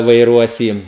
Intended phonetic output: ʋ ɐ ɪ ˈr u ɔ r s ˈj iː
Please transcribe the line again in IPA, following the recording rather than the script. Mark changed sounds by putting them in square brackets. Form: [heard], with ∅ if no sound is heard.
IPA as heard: ʋ ɐ ɪ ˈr u ɔ [∅] s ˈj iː